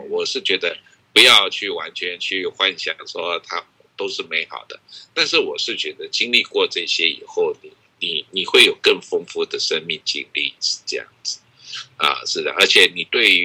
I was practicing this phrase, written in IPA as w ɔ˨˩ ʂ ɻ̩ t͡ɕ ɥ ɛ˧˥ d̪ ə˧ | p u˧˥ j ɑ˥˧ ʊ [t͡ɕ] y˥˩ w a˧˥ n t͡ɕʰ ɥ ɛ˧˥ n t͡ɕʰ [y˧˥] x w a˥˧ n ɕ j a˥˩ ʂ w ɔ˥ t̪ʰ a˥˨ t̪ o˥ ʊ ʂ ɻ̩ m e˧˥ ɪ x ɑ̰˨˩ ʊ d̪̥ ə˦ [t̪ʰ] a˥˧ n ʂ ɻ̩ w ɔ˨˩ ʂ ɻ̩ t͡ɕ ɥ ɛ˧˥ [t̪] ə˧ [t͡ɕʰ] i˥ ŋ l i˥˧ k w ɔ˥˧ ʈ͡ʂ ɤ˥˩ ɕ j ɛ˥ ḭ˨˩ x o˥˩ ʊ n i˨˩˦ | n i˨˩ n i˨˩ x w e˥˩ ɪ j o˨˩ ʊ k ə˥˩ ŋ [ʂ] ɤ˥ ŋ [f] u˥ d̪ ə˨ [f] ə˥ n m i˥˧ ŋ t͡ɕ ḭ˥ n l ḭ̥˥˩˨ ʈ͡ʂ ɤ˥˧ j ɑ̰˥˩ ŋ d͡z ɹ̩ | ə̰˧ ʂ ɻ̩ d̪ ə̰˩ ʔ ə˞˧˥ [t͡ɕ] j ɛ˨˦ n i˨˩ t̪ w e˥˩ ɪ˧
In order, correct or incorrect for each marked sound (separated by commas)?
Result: incorrect, incorrect, incorrect, incorrect, incorrect, incorrect, correct, incorrect, incorrect